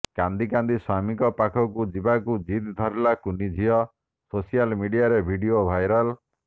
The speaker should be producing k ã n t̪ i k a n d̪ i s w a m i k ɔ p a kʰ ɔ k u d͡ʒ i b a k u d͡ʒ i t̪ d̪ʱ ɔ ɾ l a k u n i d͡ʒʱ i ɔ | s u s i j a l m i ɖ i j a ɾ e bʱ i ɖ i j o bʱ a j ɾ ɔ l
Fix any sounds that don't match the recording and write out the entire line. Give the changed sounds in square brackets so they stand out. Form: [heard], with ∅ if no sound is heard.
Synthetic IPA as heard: k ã n [d̪] i k a n d̪ i s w a m i k ɔ p a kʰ ɔ k u d͡ʒ i b a k u d͡ʒ i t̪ d̪ʱ ɔ ɾ l a k u n i d͡ʒʱ i ɔ | s [o] s i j a l m i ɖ i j a ɾ e bʱ i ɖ i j o bʱ a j ɾ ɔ l

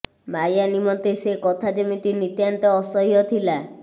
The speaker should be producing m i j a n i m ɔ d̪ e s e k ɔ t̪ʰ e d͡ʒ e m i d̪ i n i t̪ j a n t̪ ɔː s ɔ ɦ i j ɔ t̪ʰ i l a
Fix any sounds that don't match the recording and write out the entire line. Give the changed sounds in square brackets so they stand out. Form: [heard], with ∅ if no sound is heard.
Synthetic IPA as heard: m [a] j a n i m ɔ [t̪] e s e k ɔ t̪ʰ [a] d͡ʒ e m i [t̪] i n i t̪ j a n t̪ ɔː s ɔ ɦ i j ɔ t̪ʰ i l a

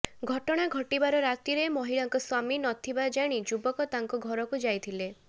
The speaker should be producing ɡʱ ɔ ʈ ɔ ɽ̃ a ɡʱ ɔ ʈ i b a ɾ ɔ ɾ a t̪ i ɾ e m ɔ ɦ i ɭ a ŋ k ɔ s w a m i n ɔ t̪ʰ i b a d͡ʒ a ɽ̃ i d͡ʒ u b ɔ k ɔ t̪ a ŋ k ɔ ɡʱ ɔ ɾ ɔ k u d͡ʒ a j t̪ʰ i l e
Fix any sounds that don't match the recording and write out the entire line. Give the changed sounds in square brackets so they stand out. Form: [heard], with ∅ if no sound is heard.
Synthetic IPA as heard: ɡʱ ɔ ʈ ɔ ɽ̃ a ɡʱ ɔ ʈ i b a ɾ ɔ ɾ a t̪ i ɾ e m ɔ ɦ i ɭ a ŋ k ɔ s w a m i n ɔ t̪ʰ i b a d͡ʒ a ɽ̃ i d͡ʒ u b ɔ k ɔ t̪ a ŋ k ɔ ɡʱ ɔ ɾ ɔ k u d͡ʒ a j t̪ʰ i l e

